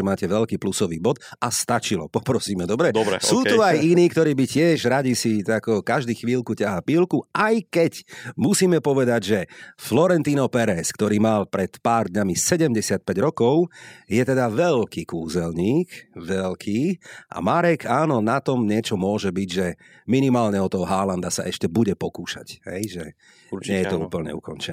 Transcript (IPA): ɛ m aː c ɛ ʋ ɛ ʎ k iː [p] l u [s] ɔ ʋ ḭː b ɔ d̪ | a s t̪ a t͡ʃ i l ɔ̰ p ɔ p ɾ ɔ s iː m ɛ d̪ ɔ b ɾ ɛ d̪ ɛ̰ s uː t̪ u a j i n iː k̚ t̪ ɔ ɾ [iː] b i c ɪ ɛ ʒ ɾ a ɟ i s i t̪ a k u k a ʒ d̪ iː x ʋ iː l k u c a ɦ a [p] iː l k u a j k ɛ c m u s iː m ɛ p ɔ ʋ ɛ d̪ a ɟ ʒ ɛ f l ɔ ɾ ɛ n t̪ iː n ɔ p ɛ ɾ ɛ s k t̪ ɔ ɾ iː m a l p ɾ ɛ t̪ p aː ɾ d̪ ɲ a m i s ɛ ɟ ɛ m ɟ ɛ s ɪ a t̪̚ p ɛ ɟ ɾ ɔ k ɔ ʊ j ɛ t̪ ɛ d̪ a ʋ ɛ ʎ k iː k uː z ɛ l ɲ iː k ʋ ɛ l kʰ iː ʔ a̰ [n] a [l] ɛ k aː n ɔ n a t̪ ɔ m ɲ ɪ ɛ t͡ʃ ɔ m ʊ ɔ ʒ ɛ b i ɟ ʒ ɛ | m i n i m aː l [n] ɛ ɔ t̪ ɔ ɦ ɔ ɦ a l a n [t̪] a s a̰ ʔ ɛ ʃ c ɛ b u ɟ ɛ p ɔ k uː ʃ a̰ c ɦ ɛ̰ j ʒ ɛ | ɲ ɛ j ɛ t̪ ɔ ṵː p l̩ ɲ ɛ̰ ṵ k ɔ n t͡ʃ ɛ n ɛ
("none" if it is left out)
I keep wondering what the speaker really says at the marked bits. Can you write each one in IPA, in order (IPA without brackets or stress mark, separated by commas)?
p, s, iː, p, m, ɾ, ɲ, d̪